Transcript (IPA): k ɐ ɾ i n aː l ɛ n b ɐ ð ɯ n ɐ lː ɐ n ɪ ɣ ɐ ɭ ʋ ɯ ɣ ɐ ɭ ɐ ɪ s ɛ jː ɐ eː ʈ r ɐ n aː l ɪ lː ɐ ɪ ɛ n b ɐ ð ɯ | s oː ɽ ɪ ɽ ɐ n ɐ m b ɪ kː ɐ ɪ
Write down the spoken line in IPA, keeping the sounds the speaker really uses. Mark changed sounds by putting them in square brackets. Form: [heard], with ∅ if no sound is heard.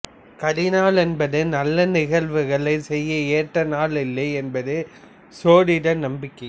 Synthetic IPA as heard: k ɐ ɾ [ɪ] n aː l ɛ n b ɐ ð ɯ n ɐ lː ɐ n ɪ ɣ ɐ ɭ ʋ ɯ ɣ ɐ ɭ ɐ ɪ s ɛ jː ɐ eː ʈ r ɐ n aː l ɪ lː ɐ ɪ ɛ n b ɐ ð ɯ | s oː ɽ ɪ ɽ ɐ n ɐ m b ɪ kː ɐ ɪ